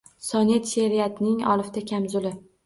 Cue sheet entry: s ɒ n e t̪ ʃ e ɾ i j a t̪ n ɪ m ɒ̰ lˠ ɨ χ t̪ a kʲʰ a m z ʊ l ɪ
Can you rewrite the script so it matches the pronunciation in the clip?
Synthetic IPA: s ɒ n e t̪ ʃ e ɾ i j a t̪ n ɪ ŋ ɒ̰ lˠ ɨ f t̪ a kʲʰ a m z ʊ l ɪ